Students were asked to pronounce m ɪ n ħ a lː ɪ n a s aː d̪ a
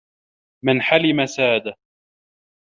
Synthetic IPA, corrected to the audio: m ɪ n ħ a l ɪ m a s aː d̪ a